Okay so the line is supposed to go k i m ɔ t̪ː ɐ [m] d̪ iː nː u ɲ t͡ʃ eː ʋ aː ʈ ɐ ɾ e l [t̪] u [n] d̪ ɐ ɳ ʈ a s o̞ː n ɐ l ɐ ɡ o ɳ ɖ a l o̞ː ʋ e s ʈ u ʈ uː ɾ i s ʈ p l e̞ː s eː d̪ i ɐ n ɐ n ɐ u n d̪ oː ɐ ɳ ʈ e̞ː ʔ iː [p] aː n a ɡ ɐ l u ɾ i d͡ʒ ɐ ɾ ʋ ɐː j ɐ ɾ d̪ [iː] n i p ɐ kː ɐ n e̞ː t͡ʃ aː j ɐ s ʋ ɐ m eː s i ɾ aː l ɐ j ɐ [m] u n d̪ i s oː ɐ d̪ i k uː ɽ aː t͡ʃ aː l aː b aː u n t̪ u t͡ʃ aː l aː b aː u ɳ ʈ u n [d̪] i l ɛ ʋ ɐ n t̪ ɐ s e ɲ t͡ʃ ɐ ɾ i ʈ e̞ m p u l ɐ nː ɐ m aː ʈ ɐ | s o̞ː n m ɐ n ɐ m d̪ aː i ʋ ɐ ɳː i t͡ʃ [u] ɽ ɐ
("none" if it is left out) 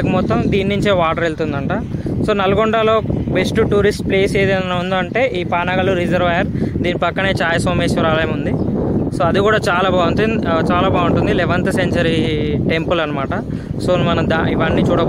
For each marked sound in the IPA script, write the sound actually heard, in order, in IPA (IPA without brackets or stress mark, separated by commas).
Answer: m, t̪, n, p, iː, m, d̪, uː